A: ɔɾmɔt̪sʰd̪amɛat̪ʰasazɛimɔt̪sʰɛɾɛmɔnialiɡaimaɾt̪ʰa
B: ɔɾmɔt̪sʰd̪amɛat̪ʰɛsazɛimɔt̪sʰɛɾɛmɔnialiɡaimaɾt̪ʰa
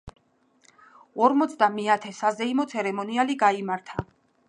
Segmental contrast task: B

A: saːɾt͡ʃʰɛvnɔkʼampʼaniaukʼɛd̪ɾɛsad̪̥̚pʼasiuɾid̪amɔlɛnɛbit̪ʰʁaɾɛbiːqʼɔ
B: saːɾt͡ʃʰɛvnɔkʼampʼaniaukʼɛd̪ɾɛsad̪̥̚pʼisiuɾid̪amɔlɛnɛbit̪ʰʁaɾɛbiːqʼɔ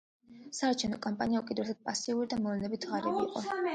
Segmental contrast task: A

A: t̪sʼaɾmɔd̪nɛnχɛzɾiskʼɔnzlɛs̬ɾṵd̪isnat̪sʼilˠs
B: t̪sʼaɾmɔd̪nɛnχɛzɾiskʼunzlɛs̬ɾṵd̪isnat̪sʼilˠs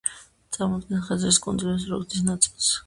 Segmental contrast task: B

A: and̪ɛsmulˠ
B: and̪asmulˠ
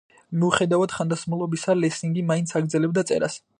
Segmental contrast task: B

